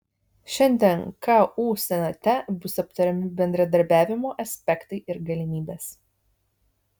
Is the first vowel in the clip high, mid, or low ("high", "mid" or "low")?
mid